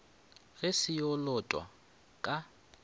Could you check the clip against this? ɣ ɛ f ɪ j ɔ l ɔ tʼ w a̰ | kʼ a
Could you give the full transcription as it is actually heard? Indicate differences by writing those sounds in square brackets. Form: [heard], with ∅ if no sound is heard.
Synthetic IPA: ɣ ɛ [s] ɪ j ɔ l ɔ tʼ w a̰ | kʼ a